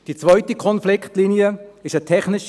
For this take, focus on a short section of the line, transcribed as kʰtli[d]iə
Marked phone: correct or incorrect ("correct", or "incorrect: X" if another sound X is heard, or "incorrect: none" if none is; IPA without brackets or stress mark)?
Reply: incorrect: n